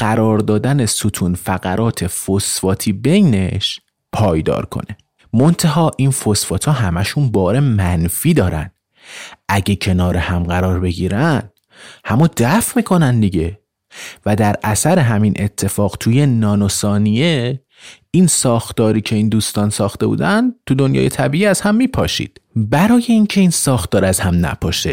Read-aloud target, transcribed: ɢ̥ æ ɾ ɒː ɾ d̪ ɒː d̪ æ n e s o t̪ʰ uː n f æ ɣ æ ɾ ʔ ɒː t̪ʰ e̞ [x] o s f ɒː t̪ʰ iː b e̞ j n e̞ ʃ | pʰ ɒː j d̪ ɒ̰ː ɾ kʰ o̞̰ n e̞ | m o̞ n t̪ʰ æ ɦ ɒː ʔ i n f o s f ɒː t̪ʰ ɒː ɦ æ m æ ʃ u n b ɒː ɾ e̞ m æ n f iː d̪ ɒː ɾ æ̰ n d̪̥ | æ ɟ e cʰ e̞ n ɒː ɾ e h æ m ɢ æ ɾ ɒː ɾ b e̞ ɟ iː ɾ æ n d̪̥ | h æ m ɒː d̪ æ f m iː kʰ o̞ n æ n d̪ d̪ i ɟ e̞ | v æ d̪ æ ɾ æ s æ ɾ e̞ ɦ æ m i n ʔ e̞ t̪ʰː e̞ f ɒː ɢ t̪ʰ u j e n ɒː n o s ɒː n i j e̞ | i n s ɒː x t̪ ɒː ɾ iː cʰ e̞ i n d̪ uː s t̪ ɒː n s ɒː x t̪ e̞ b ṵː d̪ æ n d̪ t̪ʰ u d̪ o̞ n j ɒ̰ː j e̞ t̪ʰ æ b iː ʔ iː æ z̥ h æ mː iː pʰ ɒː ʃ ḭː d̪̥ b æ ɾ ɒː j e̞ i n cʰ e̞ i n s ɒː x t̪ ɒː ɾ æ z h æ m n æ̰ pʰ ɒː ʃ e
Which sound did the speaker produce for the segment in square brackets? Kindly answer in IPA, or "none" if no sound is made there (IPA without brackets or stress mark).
f